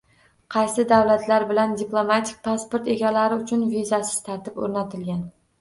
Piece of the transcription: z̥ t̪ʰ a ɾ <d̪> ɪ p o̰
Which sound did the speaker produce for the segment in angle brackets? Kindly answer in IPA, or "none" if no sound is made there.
t̪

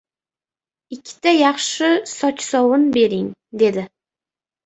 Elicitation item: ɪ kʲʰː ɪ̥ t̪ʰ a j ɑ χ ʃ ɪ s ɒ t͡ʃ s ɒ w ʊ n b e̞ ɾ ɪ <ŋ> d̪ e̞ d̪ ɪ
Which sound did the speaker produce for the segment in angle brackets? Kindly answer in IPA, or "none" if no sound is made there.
ŋ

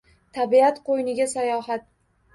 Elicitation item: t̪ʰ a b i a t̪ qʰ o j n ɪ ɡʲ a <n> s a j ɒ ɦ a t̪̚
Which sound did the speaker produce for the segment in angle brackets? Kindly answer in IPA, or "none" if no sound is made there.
none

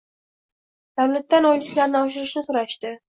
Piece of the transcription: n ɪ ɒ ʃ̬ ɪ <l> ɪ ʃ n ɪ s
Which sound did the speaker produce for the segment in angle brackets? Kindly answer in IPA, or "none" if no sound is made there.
ɾ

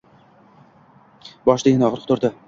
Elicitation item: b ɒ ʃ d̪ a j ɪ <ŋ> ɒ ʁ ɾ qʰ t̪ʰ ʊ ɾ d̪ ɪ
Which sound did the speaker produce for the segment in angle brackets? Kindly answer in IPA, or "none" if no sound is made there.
n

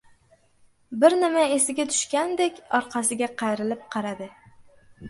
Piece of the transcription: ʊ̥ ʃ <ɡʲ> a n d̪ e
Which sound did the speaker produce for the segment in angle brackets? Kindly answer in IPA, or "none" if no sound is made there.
kʲ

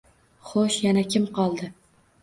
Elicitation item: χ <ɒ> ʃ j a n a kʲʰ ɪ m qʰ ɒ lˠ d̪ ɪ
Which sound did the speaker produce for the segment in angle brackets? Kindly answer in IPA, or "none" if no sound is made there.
o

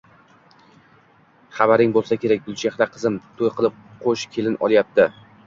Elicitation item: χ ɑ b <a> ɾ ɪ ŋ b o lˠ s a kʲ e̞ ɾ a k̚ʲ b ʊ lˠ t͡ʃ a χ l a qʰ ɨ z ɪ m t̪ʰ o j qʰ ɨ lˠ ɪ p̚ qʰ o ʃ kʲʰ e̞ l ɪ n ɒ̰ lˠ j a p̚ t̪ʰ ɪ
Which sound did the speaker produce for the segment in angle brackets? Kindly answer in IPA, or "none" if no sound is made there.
a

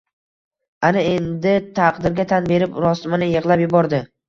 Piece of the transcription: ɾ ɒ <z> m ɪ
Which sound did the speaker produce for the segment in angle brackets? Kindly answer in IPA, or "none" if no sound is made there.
s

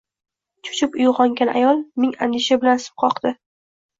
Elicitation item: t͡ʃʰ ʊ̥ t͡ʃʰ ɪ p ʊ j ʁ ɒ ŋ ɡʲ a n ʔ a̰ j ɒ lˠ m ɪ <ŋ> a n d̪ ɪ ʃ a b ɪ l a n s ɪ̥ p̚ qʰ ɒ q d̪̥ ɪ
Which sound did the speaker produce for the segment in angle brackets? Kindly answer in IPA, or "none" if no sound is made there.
ŋ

